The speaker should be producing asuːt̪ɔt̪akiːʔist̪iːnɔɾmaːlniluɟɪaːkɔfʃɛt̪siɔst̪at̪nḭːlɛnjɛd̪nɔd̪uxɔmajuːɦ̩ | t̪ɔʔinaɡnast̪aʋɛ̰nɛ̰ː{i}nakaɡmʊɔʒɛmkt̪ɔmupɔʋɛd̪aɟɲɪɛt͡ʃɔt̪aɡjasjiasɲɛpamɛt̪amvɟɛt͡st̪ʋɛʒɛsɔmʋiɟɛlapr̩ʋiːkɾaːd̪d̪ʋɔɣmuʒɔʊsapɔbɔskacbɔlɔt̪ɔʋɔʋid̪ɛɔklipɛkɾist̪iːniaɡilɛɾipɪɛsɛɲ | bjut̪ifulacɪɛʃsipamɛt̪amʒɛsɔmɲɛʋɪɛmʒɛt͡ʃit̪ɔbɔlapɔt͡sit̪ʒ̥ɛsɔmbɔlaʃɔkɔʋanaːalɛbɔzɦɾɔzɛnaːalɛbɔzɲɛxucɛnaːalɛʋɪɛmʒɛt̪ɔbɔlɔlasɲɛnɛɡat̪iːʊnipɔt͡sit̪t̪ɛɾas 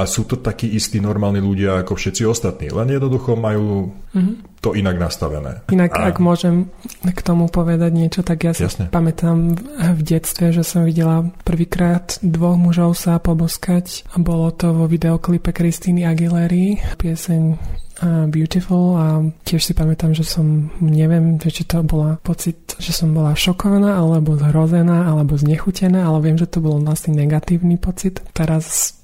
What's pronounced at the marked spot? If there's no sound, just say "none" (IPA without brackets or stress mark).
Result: i